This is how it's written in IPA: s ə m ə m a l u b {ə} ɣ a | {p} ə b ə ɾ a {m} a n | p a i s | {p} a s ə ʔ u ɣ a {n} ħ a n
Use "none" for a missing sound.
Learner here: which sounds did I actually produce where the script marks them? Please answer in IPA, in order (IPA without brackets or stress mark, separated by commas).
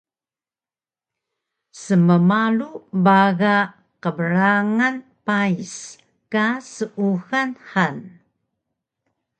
a, q, ŋ, k, n